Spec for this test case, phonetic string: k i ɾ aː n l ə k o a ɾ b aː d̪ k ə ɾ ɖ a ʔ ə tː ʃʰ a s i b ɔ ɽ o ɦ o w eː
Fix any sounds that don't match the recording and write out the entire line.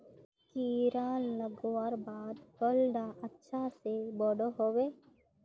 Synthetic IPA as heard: k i ɾ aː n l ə ɡ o a ɾ b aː d̪ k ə l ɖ a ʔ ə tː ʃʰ a s e b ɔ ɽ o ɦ o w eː